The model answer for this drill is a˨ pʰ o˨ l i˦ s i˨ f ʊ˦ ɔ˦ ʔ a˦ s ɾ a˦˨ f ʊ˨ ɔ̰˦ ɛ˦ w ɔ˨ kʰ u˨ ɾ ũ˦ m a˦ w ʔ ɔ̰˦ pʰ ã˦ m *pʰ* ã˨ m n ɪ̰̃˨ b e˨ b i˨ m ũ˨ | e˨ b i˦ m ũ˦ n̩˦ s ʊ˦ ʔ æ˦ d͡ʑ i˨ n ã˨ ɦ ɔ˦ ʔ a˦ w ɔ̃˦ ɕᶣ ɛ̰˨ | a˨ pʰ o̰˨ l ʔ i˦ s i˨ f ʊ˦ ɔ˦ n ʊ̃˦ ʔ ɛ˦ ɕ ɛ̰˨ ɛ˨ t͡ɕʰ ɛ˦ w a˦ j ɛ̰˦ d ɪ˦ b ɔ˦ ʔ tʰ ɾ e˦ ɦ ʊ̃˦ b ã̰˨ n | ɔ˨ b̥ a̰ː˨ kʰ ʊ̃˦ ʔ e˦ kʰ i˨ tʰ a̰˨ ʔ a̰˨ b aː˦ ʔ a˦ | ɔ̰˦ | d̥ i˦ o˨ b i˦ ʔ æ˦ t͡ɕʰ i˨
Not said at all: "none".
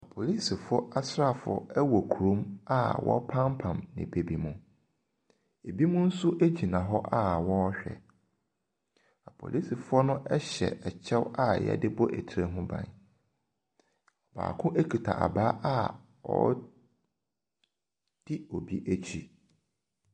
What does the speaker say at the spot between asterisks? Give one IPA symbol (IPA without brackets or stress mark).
pʰ